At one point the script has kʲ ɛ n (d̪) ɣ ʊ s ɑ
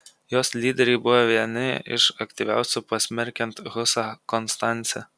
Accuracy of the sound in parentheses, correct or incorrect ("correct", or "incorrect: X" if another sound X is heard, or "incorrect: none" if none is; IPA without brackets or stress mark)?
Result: incorrect: t̪